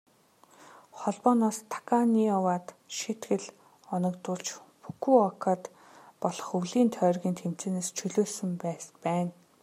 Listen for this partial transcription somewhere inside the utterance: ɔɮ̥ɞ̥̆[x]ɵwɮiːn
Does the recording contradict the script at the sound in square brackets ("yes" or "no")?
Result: yes